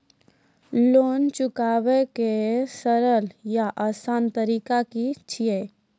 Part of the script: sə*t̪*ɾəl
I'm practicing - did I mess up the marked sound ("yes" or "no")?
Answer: yes